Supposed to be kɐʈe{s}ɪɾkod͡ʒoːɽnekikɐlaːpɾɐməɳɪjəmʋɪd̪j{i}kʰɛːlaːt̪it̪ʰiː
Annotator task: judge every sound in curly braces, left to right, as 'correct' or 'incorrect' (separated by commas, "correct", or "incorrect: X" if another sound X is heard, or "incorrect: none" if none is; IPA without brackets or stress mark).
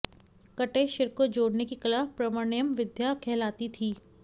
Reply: incorrect: ʃ, incorrect: a